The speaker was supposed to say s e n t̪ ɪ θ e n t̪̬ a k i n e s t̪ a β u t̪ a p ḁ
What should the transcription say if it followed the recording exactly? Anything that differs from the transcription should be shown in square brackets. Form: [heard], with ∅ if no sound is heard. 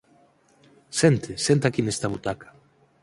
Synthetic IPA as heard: s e n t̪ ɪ [s] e n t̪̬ a k i n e s t̪ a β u t̪ a [k] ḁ